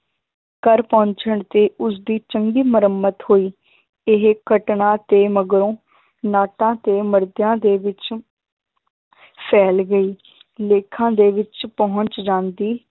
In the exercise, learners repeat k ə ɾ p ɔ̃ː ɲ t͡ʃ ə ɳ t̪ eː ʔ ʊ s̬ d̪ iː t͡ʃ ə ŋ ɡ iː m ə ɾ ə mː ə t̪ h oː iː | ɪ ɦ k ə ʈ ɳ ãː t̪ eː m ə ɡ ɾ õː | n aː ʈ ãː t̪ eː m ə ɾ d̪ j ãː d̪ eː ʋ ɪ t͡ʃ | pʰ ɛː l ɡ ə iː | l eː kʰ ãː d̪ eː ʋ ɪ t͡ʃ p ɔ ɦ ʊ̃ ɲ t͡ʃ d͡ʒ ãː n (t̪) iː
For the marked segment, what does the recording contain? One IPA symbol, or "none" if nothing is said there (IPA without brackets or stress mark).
d̪